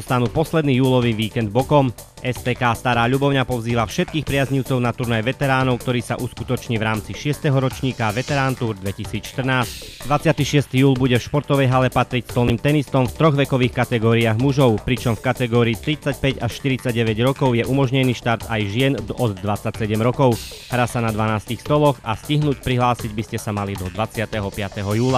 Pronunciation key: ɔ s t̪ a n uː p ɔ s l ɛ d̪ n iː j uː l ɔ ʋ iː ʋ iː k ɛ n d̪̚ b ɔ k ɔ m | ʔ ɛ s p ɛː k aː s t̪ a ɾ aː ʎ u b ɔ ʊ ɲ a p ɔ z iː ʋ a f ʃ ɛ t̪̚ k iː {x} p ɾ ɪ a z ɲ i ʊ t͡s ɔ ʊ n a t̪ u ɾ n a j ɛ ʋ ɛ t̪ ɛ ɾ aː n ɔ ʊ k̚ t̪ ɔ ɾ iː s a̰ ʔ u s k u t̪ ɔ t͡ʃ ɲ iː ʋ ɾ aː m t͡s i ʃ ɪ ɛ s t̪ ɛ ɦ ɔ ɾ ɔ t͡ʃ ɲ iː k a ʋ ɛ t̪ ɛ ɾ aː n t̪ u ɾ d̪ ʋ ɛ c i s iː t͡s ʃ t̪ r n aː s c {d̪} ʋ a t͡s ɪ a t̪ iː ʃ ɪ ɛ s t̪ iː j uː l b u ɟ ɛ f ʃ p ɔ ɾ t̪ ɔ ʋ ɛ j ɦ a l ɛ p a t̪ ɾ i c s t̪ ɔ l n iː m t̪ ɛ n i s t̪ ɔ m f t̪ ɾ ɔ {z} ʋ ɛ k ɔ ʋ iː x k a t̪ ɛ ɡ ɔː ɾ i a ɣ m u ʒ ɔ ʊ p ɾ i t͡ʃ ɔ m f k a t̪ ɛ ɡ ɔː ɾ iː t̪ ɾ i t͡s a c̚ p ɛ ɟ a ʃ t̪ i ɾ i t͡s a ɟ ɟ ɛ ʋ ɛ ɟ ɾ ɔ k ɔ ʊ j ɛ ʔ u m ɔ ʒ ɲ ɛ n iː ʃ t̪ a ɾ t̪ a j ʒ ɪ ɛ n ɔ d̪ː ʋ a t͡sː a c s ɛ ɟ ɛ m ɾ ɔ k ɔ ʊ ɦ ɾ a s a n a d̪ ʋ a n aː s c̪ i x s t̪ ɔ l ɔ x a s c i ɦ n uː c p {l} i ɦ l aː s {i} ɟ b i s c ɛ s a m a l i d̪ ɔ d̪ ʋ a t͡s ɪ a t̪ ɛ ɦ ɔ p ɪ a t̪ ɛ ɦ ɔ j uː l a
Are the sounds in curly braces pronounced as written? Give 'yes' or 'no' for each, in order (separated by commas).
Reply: yes, yes, no, no, yes